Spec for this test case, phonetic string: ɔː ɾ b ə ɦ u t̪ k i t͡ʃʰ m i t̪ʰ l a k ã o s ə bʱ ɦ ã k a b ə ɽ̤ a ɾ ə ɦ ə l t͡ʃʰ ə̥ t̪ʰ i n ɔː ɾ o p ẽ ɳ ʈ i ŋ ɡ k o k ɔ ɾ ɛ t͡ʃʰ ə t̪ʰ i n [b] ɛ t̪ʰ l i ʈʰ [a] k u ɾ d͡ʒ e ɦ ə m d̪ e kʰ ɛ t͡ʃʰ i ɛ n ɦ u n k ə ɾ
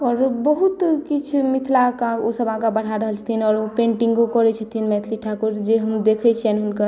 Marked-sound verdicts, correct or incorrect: incorrect: m, correct

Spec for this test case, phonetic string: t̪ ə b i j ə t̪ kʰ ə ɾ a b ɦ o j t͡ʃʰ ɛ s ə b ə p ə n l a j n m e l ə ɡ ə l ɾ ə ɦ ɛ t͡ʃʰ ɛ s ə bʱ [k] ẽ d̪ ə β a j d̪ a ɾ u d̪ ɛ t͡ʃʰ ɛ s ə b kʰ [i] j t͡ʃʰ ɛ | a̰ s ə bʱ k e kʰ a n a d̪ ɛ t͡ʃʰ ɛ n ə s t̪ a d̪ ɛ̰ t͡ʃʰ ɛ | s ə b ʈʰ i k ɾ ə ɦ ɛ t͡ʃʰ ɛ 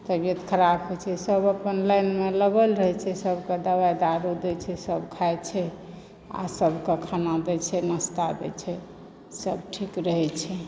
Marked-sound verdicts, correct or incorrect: correct, incorrect: a

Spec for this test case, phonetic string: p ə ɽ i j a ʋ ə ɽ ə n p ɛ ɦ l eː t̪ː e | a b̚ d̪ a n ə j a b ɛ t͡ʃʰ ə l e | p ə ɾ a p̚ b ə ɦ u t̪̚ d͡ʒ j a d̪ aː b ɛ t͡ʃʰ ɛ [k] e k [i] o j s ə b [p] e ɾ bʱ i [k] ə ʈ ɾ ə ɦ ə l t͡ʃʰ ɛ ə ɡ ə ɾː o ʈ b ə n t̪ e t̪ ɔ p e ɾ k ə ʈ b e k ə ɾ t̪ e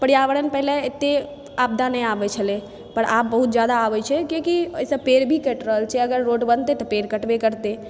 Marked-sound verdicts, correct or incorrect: correct, correct, correct, correct

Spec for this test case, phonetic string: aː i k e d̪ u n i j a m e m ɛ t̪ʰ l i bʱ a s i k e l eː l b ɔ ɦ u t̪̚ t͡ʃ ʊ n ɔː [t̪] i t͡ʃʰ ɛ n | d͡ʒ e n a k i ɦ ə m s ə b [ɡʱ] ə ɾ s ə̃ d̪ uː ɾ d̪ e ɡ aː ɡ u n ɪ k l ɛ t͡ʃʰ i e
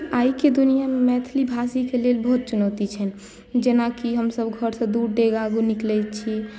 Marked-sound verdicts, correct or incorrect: correct, correct

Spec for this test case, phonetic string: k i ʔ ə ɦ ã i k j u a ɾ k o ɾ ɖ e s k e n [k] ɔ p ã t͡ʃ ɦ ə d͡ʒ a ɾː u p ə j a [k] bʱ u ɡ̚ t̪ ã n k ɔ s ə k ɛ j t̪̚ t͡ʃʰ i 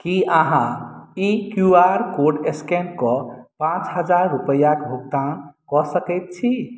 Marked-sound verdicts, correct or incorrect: correct, correct

